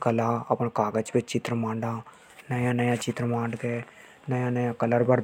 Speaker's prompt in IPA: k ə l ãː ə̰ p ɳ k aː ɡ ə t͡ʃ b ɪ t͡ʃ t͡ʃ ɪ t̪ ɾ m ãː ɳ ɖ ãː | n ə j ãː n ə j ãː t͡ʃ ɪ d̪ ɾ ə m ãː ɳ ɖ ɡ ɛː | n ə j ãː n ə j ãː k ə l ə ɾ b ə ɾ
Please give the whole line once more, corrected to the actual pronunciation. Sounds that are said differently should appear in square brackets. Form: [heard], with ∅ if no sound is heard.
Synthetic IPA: k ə l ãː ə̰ p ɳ k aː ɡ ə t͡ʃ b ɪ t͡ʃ t͡ʃ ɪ t̪ ɾ m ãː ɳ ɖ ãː | n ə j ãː n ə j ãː t͡ʃ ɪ [t̪] ɾ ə m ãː ɳ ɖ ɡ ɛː | n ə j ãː n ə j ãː k ə l ə ɾ b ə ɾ